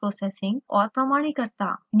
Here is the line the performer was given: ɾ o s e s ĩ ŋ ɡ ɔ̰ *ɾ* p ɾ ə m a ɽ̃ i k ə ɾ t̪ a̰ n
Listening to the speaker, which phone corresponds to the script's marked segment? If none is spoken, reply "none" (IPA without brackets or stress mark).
ɾ